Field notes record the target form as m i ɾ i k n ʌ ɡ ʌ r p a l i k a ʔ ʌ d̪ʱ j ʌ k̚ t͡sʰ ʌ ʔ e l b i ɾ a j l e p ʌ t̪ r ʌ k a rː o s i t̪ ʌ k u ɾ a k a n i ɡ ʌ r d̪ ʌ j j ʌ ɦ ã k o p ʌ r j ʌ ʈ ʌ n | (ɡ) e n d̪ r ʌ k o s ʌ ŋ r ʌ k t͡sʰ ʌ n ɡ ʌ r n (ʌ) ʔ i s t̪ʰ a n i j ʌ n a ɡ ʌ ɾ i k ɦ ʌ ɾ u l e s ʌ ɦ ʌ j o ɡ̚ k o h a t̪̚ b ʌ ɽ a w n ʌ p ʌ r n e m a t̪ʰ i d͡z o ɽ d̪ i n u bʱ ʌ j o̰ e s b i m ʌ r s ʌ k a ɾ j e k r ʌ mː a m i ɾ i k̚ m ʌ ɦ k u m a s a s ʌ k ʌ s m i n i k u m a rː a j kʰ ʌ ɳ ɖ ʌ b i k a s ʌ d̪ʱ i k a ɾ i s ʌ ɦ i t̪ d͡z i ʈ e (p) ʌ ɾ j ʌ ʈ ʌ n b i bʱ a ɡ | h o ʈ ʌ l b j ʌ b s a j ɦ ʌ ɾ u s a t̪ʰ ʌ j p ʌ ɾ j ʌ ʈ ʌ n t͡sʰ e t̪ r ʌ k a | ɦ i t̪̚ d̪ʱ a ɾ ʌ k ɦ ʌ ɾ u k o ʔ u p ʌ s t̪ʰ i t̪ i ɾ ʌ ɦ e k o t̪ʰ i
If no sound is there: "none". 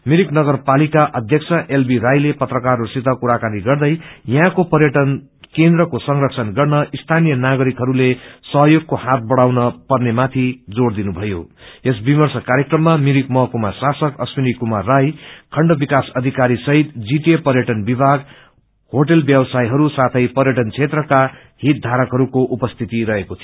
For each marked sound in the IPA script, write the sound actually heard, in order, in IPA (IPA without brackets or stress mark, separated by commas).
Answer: k, ʌ, p